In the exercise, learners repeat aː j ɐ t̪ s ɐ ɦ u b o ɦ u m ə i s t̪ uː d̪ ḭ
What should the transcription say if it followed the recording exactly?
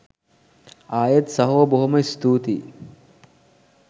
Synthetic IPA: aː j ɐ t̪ s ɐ ɦ o b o ɦ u m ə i s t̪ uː t̪ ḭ